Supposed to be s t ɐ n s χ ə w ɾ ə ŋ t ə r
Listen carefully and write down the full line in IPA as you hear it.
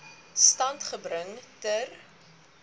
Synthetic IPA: s t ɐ n t χ ə b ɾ ə ŋ t ə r